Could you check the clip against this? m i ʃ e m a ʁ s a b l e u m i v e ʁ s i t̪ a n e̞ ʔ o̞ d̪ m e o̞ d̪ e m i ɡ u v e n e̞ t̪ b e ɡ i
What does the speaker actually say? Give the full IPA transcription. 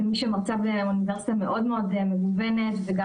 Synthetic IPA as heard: m i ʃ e m a ʁ t͡s a b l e u n i v e ʁ s i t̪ a m e̞ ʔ o̞ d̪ m e o̞ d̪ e m e ɡ u v e n e̞ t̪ v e ɡ a